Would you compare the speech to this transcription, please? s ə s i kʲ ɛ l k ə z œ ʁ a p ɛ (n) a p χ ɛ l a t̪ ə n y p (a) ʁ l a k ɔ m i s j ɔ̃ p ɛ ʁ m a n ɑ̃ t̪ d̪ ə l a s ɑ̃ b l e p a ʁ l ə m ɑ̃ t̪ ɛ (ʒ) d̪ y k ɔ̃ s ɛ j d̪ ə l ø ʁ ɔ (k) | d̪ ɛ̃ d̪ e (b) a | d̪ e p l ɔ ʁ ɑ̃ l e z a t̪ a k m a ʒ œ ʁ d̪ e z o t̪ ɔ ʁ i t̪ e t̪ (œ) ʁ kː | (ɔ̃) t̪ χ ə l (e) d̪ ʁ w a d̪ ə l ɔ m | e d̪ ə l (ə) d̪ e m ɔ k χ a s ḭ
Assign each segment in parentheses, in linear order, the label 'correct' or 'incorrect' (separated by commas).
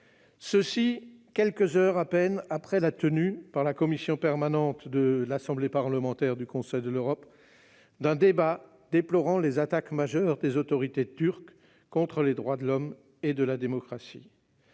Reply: correct, correct, incorrect, incorrect, correct, incorrect, correct, correct, incorrect